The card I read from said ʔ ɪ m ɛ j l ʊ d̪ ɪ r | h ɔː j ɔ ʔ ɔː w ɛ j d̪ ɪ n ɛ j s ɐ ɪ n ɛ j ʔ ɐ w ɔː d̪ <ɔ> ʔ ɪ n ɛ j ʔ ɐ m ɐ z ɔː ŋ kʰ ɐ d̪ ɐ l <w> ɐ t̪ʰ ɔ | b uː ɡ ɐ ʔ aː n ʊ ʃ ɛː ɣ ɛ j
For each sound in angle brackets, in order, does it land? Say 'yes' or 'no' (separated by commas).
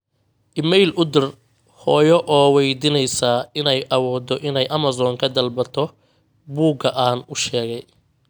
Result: yes, no